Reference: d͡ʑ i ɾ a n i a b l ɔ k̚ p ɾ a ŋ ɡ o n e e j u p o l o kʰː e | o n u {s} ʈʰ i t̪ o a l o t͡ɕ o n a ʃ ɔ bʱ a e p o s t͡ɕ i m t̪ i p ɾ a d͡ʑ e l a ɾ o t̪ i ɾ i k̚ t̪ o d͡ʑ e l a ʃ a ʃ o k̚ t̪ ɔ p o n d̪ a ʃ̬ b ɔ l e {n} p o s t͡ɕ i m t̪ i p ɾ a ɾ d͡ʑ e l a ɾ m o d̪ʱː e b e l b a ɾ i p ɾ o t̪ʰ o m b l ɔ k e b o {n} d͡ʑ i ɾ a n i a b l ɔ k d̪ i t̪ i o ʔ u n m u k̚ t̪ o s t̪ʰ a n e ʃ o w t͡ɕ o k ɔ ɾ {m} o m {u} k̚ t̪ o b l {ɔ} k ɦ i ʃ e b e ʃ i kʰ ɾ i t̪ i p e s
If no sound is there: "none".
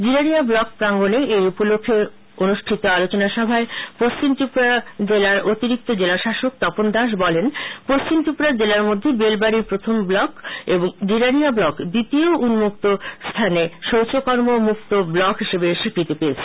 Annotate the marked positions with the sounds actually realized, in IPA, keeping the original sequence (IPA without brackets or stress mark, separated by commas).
ʃ, n, ŋ, m, u, ɔ